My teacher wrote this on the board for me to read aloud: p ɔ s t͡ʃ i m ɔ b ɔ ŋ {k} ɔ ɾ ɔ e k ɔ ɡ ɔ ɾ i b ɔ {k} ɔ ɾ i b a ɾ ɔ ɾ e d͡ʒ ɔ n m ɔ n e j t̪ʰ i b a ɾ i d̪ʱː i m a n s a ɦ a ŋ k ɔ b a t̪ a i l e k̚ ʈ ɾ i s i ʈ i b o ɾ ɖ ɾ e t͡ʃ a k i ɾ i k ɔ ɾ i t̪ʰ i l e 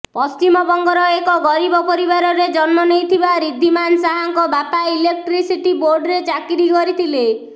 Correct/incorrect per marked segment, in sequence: incorrect: ɡ, incorrect: p

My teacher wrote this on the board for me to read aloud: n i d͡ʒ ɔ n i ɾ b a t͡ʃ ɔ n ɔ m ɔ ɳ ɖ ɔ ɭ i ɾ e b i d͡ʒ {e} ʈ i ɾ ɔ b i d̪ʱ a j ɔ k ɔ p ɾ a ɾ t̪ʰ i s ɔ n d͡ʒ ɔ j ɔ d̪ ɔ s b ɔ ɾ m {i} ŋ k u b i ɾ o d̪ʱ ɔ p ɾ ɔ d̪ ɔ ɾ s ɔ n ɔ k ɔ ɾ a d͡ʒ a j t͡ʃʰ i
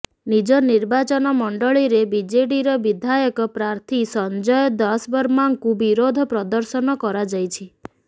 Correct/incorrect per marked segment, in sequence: correct, incorrect: a

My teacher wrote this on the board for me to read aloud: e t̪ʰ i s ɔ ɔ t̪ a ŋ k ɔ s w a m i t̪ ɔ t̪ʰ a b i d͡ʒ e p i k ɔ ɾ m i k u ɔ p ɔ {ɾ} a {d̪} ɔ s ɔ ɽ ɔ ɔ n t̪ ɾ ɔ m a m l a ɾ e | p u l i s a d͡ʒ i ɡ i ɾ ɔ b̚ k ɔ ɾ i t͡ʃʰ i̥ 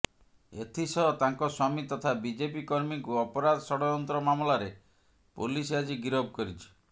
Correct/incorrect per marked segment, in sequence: correct, correct

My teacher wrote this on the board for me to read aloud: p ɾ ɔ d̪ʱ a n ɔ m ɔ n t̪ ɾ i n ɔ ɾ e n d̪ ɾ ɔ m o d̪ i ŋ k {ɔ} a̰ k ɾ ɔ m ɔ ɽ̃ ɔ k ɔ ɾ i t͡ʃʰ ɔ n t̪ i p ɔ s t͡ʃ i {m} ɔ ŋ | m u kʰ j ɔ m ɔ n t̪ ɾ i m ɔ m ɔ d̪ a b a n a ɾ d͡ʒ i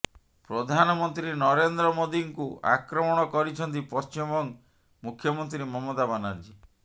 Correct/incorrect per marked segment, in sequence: incorrect: u, correct

